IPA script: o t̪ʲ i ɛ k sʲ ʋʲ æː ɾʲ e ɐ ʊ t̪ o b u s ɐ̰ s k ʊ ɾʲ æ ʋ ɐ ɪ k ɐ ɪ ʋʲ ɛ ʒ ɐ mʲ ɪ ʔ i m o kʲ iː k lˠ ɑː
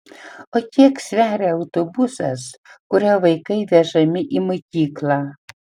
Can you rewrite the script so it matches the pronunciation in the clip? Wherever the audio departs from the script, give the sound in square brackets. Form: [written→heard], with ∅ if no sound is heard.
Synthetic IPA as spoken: o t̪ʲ i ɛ k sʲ ʋʲ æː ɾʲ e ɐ ʊ t̪ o b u s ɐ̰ s k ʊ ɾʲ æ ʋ ɐ ɪ k ɐ ɪ ʋʲ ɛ ʒ ɐ mʲ ɪ ʔ i m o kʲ iː k lˠ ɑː